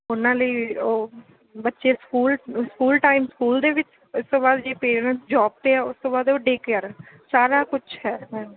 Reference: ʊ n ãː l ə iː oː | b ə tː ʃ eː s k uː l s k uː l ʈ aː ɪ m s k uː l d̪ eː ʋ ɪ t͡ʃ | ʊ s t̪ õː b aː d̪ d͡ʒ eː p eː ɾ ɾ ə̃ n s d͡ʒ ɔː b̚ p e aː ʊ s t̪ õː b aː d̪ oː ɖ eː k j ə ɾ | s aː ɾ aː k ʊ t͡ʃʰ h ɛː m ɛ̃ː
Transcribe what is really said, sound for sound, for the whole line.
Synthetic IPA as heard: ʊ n ãː l ə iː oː | b ə tː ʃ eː s k uː l s k uː l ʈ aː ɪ m s k uː l d̪ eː ʋ ɪ t͡ʃ | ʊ s t̪ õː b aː d̪ d͡ʒ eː p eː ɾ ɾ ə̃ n s d͡ʒ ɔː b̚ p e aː ʊ s t̪ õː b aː d̪ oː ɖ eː k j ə ɾ | s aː ɾ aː k ʊ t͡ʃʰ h ɛː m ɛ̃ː